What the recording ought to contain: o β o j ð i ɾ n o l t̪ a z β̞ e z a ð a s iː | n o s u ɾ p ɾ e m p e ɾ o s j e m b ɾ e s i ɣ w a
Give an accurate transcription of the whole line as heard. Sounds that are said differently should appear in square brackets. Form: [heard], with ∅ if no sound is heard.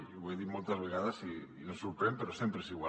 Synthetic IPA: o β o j ð i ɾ [m] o l t̪ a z β̞ e [ɣ] a ð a s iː | n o s u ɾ p ɾ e m p e ɾ o s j e m [p] ɾ e s i ɣ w a